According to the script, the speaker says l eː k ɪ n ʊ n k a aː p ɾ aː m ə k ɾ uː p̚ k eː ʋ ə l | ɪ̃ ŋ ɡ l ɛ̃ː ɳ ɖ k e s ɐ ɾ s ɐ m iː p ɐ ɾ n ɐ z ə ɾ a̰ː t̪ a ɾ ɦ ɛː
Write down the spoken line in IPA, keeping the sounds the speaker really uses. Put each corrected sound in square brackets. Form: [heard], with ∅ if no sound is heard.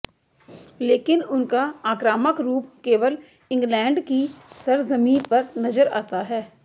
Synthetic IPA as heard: l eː k ɪ n ʊ n k a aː [k] ɾ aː m ə k ɾ uː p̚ k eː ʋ ə l | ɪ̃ ŋ ɡ l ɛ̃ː ɳ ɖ k [i] s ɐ ɾ [z] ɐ m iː p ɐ ɾ n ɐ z ə ɾ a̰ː t̪ a [∅] ɦ ɛː